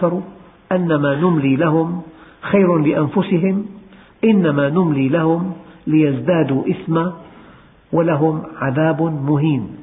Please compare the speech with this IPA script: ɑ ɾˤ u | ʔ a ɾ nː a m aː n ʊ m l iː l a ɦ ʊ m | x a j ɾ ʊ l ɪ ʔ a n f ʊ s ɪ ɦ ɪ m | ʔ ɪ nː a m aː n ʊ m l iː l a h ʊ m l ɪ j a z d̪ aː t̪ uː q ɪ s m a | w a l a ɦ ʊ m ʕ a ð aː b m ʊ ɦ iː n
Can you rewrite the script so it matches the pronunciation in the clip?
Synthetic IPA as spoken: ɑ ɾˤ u | ʔ a nː a m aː n ʊ m l iː l a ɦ ʊ m | x a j ɾ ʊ l ɪ ʔ a n f ʊ s ɪ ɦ ɪ m | ʔ ɪ nː a m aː n ʊ m l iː l a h ʊ m l ɪ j a z d̪ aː d̪ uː ʔ ɪ s m a | w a l a ɦ ʊ m ʕ a ð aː b m ʊ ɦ iː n